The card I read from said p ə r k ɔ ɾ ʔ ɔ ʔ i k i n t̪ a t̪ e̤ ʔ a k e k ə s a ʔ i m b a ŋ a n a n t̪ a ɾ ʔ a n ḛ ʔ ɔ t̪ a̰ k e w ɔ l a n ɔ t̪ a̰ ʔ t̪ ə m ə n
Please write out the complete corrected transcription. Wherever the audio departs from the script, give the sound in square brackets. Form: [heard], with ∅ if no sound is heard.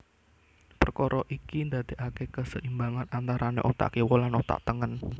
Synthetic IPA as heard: p ə r k ɔ ɾ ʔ ɔ ʔ i k i n [d̪] a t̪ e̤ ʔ a k e k ə s [ə] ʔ i m b a ŋ a n a n t̪ a ɾ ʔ a n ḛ ʔ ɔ t̪ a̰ k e w ɔ l a n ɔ t̪ a̰ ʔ t̪ ə [ŋ] ə n